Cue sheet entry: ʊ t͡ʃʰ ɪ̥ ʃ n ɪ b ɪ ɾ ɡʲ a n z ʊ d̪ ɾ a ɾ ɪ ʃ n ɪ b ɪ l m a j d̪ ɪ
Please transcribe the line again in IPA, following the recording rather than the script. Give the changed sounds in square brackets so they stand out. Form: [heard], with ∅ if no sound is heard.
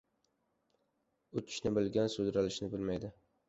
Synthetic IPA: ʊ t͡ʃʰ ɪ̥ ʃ n ɪ b ɪ [l] ɡʲ a n [s] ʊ d̪ ɾ a [l] ɪ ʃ n ɪ b ɪ l m a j d̪ ɪ